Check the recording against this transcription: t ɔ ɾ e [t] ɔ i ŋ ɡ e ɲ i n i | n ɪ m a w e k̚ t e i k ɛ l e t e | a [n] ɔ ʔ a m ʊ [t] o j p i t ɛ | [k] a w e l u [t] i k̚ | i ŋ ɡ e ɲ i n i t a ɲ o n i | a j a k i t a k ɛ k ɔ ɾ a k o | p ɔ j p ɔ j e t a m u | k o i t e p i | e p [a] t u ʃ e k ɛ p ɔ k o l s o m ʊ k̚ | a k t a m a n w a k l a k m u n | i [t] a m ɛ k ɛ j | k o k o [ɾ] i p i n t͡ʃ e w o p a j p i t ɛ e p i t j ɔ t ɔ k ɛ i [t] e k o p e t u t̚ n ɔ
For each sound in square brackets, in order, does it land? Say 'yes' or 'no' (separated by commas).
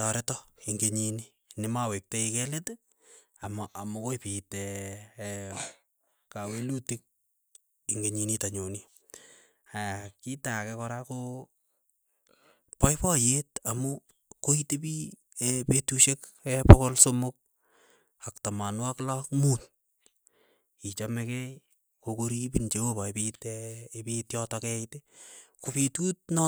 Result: yes, no, no, yes, yes, no, no, yes, yes